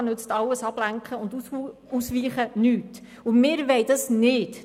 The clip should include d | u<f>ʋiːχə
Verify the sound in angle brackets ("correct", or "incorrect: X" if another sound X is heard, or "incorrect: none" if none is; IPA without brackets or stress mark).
incorrect: s